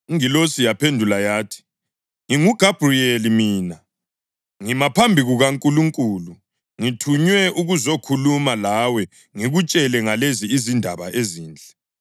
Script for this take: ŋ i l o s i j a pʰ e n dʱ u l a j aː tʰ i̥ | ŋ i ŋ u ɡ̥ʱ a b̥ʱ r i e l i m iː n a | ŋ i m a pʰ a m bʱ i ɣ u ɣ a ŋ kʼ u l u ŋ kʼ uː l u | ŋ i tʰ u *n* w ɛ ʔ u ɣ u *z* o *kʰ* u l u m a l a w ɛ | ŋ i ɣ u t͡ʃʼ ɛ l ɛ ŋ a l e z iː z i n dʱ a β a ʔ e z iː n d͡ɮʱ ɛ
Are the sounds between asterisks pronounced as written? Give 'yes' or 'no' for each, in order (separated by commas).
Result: no, yes, yes